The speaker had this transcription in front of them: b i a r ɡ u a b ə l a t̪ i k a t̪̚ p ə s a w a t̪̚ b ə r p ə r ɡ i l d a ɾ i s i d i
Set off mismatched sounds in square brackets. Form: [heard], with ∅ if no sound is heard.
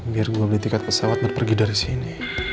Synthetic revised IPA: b i a r ɡ u a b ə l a t̪ i k a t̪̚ p ə s a w a t̪̚ b ə r p ə r ɡ i [∅] d a ɾ i s i [n] i